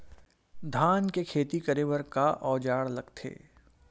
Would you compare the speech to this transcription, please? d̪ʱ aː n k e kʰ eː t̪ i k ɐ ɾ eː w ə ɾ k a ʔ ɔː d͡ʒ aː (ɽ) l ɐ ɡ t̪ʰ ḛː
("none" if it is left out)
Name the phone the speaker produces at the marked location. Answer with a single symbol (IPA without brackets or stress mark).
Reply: ɽ